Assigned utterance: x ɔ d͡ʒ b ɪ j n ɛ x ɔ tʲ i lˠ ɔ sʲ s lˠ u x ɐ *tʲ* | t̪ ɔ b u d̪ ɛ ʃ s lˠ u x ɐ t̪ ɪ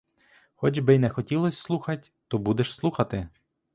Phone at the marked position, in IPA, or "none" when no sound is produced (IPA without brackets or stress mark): tʲ